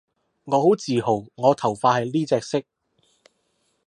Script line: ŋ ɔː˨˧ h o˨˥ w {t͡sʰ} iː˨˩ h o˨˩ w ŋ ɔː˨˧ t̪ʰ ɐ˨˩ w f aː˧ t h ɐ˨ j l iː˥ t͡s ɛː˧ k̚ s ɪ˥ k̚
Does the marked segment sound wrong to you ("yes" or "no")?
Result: yes